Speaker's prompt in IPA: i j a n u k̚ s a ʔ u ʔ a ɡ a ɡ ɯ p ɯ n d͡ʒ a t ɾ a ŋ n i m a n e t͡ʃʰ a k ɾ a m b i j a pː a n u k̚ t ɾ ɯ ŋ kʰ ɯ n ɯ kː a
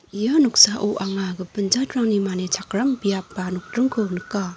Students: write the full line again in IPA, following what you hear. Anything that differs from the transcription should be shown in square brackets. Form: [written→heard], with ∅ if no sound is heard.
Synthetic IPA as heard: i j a n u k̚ s a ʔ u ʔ a [ɡ→ŋ] a ɡ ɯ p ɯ n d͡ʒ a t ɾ a ŋ n i m a n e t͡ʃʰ a k ɾ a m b i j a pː a n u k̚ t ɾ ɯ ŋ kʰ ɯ n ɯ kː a